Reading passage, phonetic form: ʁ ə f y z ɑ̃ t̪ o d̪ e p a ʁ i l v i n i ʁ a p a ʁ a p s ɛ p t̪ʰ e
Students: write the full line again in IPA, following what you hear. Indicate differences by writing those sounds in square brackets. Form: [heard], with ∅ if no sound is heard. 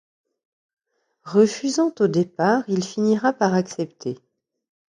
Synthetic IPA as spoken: ʁ ə f y z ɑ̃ t̪ o d̪ e p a ʁ i l [f] i n i ʁ a p a ʁ a [k] s ɛ p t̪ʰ e